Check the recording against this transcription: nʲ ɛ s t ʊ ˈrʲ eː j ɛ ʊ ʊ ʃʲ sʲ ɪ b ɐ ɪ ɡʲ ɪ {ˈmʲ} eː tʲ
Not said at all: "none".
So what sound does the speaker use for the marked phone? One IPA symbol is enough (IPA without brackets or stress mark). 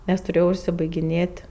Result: nʲ